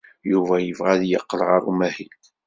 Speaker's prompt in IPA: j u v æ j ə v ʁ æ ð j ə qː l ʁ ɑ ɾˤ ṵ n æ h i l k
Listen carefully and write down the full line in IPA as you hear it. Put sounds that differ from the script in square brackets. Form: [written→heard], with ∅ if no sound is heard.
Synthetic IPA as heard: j u v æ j ə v ʁ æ ð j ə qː l ʁ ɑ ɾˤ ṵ [n→m] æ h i l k